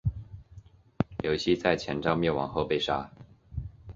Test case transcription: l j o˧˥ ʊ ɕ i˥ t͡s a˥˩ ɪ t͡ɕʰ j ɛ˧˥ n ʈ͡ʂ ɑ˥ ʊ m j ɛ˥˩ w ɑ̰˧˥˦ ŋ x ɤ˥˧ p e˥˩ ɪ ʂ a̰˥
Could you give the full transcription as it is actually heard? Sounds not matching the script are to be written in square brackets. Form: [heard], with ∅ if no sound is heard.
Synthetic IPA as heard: l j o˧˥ ʊ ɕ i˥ t͡s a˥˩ ɪ t͡ɕʰ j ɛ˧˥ n ʈ͡ʂ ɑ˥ ʊ m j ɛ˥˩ w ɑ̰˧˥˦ ŋ x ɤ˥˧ p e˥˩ ɪ ʂ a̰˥